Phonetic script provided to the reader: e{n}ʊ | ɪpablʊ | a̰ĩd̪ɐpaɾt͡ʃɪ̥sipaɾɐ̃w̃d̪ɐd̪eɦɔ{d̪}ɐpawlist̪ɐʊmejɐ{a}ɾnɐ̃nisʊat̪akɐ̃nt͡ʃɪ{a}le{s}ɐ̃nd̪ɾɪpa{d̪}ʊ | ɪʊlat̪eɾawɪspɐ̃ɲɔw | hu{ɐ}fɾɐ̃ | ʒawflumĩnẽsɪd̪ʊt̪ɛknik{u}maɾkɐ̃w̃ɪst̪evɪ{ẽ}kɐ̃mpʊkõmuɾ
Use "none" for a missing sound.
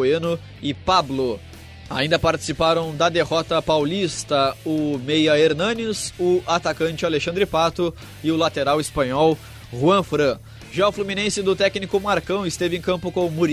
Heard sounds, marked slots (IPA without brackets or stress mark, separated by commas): n, t̪, e, a, ʃ, t̪, ɐ̃, ʊ, ẽ